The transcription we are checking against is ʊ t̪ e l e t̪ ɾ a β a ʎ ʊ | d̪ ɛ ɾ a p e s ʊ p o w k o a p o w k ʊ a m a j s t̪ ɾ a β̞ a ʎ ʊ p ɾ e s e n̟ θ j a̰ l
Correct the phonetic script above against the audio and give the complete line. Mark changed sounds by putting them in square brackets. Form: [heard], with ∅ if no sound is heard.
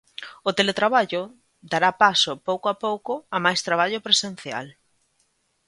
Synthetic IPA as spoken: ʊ t̪ e l e t̪ ɾ a β a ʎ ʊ | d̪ [a] ɾ a p [a] s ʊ p o w k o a p o w k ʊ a m a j s t̪ ɾ a β̞ a ʎ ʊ p ɾ e s e n̟ θ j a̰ l

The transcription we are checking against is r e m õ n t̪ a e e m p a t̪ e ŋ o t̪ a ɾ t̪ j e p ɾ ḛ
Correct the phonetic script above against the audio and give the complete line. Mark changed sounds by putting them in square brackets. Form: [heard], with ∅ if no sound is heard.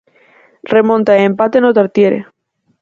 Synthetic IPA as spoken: r e m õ n t̪ a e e m p a t̪ e [n] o t̪ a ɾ t̪ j e [∅] ɾ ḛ

